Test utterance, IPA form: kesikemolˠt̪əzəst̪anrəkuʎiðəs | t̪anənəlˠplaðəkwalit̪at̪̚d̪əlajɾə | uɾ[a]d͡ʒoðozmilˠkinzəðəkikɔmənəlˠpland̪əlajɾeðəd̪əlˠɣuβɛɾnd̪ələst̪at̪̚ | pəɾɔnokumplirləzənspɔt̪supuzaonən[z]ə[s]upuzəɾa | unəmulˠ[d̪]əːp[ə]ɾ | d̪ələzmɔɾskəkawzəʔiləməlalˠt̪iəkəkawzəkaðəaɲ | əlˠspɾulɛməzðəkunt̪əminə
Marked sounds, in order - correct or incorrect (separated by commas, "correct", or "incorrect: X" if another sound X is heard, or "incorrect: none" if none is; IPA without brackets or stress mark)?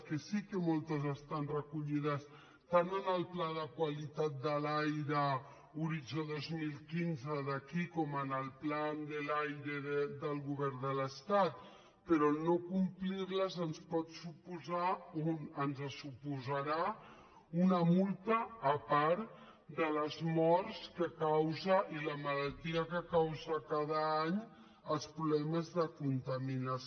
incorrect: i, correct, correct, incorrect: t̪, incorrect: a